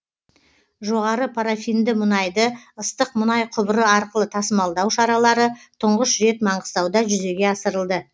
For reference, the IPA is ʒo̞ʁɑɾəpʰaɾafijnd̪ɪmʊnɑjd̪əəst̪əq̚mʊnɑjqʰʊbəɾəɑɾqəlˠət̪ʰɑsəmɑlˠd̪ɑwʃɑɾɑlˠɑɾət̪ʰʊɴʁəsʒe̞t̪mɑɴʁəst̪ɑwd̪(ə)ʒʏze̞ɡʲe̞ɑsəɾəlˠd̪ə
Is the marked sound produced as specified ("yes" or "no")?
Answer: no